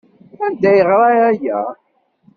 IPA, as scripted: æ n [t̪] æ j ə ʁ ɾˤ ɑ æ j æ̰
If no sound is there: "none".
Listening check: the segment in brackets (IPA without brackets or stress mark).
d̪